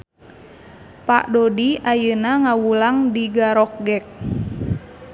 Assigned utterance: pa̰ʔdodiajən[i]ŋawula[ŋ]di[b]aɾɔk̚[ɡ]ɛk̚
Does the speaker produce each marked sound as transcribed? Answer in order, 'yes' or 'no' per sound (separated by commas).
no, yes, no, yes